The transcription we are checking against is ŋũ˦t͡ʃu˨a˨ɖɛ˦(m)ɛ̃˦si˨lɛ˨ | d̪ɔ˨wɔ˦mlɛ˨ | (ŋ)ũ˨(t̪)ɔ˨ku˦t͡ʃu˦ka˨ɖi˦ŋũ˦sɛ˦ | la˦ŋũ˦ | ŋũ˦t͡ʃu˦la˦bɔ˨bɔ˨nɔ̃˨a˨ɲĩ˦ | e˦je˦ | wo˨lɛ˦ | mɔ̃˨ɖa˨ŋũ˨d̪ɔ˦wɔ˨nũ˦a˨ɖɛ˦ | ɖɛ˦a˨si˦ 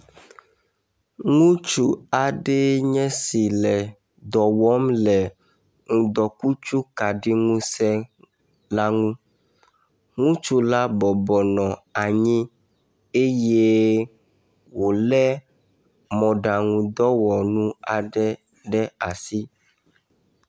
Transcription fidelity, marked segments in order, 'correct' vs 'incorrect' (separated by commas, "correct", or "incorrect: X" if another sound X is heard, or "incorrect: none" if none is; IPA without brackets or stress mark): incorrect: ɲ, correct, incorrect: d̪